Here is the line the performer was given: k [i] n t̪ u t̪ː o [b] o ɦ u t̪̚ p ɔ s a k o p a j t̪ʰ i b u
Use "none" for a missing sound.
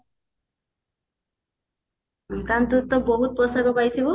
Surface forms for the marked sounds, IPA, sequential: a, b

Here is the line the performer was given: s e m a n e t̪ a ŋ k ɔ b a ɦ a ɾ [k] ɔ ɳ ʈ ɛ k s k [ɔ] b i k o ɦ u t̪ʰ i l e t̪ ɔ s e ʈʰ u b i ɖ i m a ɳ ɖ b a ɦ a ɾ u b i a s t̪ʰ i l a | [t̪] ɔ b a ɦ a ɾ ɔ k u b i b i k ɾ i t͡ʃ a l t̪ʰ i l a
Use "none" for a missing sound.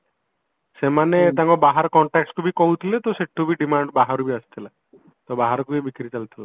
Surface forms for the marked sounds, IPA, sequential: k, u, t̪

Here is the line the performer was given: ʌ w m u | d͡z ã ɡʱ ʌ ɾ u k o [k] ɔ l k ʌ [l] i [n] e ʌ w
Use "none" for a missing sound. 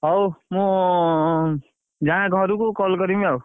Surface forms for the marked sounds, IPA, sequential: k, ɾ, m

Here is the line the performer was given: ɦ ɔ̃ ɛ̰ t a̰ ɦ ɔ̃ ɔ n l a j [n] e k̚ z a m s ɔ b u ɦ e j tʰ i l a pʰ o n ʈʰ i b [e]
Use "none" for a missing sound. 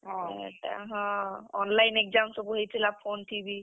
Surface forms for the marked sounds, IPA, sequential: n, i

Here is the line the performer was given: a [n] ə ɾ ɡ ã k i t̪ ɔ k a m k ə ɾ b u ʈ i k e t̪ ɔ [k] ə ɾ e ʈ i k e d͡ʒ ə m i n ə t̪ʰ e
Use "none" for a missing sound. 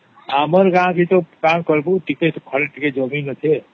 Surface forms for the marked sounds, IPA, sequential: m, kʰ

